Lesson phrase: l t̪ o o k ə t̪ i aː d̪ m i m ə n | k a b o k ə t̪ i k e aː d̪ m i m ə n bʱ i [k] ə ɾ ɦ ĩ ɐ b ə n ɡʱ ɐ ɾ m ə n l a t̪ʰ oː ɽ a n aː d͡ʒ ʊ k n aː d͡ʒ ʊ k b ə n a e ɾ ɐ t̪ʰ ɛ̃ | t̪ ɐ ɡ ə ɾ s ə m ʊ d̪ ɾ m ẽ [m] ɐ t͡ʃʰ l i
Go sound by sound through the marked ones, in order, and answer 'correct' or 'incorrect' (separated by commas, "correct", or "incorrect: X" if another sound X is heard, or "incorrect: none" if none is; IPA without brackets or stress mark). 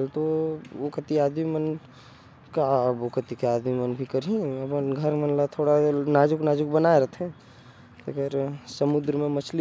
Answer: correct, correct